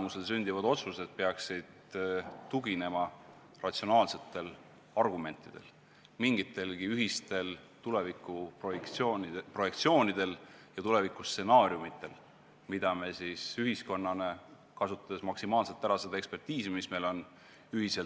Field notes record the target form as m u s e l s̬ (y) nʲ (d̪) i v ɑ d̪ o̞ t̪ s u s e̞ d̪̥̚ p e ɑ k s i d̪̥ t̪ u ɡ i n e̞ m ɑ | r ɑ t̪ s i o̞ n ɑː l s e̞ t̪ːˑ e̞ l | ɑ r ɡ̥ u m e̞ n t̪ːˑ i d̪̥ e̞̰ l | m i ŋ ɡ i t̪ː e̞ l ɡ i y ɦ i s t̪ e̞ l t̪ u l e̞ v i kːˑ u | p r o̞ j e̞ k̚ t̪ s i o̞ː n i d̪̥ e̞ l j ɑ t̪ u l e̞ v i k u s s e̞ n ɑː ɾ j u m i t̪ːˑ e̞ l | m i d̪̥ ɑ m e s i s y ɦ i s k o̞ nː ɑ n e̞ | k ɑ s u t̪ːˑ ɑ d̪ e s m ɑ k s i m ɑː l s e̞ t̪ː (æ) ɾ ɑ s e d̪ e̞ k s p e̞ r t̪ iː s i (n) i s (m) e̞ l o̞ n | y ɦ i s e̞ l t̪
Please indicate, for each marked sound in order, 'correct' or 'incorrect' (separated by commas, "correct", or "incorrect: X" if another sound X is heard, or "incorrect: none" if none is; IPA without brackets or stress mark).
correct, correct, correct, incorrect: m, correct